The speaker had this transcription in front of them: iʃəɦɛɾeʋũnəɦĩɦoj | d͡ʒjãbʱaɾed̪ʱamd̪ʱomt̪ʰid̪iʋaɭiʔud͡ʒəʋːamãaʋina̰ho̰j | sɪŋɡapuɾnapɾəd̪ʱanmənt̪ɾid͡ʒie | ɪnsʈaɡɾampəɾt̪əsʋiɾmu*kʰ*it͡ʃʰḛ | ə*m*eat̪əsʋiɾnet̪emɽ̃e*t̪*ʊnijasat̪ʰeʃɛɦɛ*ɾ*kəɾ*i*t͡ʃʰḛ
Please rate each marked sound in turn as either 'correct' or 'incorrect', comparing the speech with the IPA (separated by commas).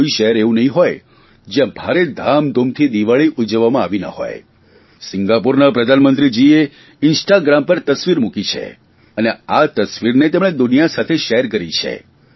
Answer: incorrect, incorrect, incorrect, correct, correct